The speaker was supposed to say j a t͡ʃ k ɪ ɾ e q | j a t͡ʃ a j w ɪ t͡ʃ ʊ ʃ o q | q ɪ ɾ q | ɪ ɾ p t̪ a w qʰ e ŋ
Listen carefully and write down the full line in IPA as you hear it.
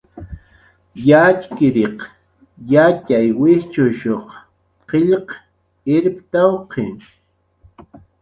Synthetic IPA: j a t͡ʃ k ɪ ɾ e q | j a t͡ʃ a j w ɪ t͡ʃ ʊ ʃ o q | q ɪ ʎ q | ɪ ɾ p t̪ a w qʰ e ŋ